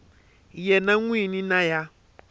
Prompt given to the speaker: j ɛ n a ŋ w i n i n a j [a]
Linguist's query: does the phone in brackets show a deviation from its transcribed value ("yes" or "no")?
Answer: no